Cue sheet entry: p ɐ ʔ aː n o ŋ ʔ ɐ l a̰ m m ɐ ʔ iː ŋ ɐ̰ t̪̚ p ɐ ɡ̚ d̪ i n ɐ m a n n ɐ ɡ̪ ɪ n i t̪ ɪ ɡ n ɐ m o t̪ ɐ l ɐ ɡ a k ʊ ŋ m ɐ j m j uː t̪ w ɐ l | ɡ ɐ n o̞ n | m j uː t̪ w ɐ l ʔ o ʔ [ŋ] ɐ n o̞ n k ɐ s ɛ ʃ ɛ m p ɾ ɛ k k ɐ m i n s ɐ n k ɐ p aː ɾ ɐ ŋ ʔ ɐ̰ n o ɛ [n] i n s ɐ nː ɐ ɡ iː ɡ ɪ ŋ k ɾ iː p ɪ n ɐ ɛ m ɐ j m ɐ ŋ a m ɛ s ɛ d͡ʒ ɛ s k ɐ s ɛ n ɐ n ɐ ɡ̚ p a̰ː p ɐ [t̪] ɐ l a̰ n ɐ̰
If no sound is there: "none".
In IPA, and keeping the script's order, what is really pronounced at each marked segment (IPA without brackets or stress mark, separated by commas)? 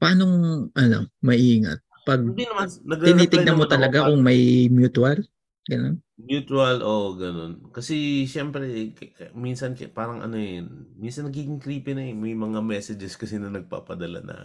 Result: ɡ, m, d̪